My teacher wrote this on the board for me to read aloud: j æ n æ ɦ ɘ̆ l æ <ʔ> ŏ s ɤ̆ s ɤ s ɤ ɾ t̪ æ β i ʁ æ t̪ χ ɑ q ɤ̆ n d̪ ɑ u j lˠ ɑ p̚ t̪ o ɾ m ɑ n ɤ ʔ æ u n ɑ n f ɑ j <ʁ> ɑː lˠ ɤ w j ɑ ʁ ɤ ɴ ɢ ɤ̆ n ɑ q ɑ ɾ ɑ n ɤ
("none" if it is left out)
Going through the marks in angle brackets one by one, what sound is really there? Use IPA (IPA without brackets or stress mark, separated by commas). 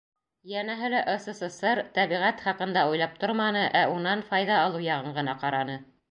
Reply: ʔ, ð